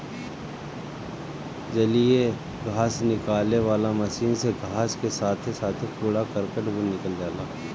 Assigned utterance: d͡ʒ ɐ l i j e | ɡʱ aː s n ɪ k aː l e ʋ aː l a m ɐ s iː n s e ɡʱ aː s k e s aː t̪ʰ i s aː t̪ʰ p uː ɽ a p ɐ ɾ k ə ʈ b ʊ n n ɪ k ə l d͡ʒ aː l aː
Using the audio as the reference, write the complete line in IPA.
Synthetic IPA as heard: d͡ʒ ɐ l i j e | ɡʱ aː s n ɪ k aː l e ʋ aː l a m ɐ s iː n s e ɡʱ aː s k e s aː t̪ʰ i s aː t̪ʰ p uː ɽ a k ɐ ɾ k ə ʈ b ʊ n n ɪ k ə l d͡ʒ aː l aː